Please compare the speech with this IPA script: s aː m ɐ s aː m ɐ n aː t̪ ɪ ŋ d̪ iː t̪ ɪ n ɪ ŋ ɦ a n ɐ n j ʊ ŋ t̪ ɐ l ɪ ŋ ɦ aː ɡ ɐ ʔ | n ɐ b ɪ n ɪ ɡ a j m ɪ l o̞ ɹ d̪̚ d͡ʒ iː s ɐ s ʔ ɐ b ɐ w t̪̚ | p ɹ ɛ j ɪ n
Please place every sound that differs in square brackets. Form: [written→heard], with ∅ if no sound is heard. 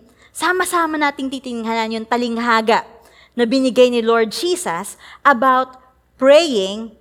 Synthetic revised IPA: s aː m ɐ s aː m ɐ n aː t̪ ɪ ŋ [d̪→t̪] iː t̪ ɪ n ɪ ŋ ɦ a n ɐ n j ʊ ŋ t̪ ɐ l ɪ ŋ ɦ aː ɡ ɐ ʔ | n ɐ b ɪ n ɪ ɡ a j [m→n] ɪ l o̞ ɹ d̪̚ d͡ʒ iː s ɐ s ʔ ɐ b [ɐ→a] w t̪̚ | p ɹ ɛ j ɪ [n→ŋ]